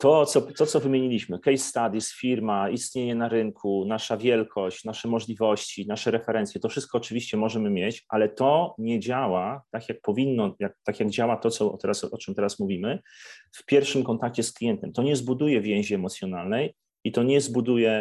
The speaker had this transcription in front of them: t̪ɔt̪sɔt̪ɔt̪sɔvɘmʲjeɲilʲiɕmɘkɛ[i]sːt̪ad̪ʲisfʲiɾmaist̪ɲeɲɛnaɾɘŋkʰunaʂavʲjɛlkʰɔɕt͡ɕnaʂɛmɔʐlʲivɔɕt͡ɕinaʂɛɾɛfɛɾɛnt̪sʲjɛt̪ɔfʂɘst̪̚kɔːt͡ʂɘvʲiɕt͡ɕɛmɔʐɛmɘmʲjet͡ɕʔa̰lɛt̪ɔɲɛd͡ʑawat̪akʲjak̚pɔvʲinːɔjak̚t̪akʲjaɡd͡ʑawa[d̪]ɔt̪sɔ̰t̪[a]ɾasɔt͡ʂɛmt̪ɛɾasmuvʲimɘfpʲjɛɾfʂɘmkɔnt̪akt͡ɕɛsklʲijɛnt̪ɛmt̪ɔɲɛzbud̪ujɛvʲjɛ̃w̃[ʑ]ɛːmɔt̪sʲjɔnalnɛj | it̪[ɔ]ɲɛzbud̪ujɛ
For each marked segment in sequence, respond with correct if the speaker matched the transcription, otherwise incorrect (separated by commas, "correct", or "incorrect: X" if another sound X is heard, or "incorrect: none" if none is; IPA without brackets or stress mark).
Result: incorrect: j, incorrect: t̪, incorrect: ɛ, correct, correct